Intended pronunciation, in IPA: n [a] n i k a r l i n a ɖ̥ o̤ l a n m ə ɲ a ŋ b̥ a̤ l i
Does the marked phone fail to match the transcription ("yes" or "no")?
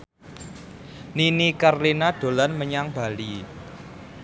yes